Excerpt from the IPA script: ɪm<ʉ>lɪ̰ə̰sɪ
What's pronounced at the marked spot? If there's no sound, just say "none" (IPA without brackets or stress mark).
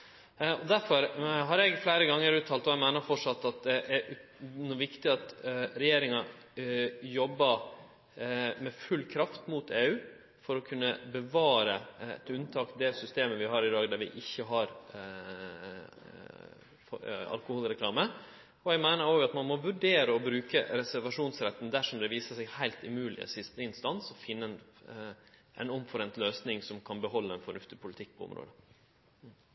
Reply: ʉː